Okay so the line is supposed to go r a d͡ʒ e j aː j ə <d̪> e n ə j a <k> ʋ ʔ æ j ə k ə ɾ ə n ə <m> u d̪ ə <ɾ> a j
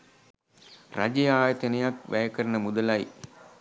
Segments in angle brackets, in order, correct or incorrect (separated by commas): incorrect, correct, correct, incorrect